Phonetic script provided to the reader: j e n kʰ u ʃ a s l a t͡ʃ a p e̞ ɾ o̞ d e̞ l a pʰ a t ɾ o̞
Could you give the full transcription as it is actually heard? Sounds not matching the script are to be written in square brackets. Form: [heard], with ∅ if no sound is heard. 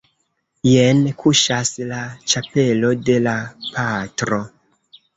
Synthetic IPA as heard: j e n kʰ u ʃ a s l a t͡ʃ a p e̞ [l] o̞ d e̞ l a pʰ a t ɾ o̞